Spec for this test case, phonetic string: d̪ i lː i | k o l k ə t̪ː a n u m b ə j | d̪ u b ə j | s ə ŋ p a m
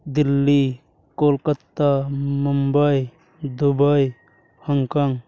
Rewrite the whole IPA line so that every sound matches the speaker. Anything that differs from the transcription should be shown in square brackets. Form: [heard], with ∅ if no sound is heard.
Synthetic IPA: d̪ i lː i | k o l k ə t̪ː a [m] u m b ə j | d̪ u b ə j | [h] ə ŋ [k] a [ŋ]